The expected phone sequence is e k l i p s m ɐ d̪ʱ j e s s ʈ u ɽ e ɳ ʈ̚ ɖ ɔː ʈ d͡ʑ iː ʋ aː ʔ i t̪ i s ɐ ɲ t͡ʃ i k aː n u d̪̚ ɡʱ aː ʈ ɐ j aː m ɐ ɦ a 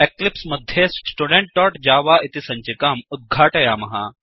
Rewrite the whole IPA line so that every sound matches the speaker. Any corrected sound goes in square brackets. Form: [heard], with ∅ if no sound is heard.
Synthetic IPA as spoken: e k l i p s m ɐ d̪ʱ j e s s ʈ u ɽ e ɳ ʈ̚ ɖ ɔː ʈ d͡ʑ [aː] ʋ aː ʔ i t̪ i s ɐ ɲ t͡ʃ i k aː [m] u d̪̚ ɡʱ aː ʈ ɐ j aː m ɐ ɦ a